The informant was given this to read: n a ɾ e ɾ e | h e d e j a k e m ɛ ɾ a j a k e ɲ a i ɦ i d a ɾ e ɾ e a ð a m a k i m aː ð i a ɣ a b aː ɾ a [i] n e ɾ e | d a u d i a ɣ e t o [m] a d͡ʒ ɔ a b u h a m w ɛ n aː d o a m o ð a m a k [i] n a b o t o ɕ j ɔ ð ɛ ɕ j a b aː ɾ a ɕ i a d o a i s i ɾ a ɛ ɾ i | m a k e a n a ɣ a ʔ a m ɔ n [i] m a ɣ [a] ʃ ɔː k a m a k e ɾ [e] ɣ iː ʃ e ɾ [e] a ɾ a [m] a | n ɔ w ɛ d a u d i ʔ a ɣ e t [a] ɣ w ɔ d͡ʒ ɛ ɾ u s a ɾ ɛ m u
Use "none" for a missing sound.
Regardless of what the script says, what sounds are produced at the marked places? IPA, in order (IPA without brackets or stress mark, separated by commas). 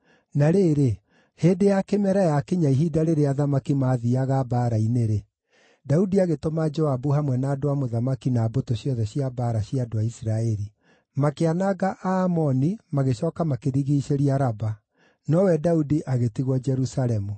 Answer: i, m, i, i, e, i, i, b, i